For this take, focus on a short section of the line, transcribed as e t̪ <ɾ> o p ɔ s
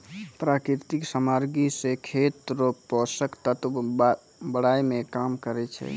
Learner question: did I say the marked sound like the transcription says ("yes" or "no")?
yes